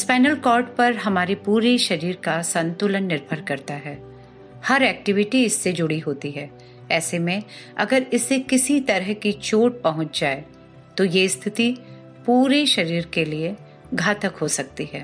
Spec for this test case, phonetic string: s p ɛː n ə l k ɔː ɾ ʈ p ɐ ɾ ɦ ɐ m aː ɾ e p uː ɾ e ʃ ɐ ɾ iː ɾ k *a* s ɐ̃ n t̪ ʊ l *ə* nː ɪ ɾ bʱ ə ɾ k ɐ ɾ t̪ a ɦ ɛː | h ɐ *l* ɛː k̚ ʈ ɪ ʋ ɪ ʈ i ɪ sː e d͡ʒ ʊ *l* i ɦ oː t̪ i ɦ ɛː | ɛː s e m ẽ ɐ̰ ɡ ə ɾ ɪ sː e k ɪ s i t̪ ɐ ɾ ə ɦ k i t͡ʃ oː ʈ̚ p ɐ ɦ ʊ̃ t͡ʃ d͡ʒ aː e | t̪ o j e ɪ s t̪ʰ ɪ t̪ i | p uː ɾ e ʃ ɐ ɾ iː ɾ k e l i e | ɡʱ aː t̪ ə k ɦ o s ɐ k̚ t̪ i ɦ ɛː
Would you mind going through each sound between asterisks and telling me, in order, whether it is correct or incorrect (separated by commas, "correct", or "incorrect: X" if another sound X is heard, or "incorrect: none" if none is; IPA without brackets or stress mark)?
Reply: correct, correct, incorrect: ɾ, incorrect: ɽ